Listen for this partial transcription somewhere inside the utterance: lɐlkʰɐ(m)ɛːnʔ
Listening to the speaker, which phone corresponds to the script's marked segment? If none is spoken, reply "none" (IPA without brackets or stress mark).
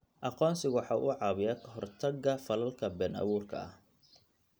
b